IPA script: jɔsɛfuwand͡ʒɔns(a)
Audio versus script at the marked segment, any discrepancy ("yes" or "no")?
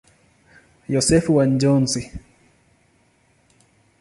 yes